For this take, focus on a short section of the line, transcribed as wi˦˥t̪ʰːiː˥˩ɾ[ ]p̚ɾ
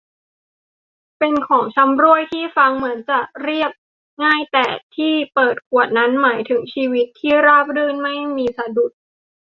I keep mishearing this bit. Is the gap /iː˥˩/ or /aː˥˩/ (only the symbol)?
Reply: aː˥˩